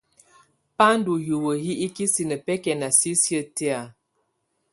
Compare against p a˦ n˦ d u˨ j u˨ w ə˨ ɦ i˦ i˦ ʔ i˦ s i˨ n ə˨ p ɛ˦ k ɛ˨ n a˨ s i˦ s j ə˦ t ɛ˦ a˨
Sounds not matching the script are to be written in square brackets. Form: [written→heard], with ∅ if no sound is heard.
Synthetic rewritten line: p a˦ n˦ d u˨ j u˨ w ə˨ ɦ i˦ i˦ [ʔ→k] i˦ s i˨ n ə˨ p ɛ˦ k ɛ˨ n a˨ s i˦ s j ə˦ t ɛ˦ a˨